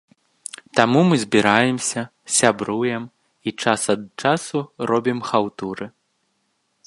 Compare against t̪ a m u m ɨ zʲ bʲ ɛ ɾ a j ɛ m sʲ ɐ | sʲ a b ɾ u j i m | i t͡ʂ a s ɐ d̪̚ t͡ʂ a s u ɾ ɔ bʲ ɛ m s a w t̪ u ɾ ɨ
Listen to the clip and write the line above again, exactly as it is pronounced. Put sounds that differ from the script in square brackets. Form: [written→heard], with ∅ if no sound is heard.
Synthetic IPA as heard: t̪ a m u m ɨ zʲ bʲ [ɛ→i] ɾ a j ɛ m sʲ ɐ | sʲ a b ɾ u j [i→ɛ] m | i t͡ʂ a s ɐ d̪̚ t͡ʂ a s u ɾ ɔ bʲ [ɛ→i] m [s→x] a w t̪ u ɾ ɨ